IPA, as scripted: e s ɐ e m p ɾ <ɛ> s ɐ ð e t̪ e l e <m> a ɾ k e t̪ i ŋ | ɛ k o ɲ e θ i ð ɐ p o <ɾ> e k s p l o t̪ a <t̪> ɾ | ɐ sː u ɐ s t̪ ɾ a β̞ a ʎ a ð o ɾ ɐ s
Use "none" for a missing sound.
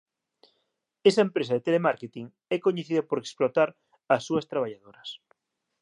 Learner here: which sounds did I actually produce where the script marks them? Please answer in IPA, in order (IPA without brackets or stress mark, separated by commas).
e, m, ɾ, none